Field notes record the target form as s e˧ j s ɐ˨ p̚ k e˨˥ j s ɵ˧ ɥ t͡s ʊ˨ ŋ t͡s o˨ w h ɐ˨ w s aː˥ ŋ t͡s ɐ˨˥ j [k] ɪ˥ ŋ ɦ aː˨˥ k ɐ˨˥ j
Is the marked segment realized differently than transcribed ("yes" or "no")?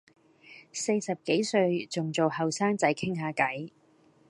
yes